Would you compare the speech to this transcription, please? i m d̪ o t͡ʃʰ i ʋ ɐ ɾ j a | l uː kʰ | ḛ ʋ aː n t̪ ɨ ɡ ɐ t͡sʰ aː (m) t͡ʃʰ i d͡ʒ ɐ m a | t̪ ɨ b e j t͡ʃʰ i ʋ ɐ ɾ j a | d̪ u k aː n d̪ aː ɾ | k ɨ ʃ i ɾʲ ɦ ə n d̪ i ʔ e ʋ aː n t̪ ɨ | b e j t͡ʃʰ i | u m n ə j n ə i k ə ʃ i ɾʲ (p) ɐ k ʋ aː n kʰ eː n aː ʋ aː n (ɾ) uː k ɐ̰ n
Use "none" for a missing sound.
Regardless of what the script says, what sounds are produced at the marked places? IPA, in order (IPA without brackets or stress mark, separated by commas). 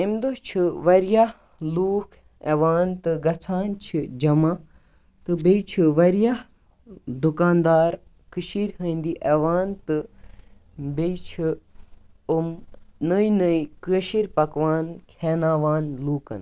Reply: n, p, l